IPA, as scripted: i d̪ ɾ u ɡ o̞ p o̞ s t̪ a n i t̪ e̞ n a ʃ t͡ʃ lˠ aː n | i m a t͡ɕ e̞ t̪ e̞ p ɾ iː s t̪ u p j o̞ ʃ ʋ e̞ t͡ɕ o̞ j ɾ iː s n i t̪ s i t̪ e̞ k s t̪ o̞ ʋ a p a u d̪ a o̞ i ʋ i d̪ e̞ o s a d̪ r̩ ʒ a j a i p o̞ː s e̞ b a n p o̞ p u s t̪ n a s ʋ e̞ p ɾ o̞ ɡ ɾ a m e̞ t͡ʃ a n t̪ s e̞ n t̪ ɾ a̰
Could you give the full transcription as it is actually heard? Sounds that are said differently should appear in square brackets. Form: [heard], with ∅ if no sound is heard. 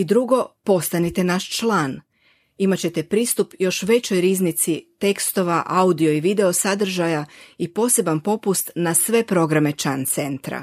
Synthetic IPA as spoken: i d̪ ɾ u ɡ o̞ p o̞ s t̪ a n i t̪ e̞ n a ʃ t͡ʃ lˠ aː n | i m a t͡ɕ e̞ t̪ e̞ p ɾ iː s t̪ u p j o̞ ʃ ʋ e̞ t͡ɕ o̞ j ɾ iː [z] n i t̪ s i t̪ e̞ k s t̪ o̞ ʋ a [ʔ] a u d̪ [i] o̞ i ʋ i d̪ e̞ o s a d̪ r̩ ʒ a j a i p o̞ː s e̞ b a n p o̞ p u s t̪ n a s ʋ e̞ p ɾ o̞ ɡ ɾ a m e̞ t͡ʃ a n t̪ s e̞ n t̪ ɾ a̰